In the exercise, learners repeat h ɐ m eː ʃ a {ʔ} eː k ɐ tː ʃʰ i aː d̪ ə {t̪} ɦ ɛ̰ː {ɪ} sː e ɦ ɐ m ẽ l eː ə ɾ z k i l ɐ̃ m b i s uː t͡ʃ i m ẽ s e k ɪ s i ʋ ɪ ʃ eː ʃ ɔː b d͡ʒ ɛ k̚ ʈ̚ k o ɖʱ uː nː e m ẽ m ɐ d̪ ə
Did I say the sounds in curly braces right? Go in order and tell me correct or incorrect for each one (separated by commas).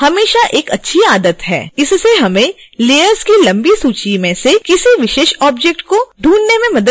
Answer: correct, correct, correct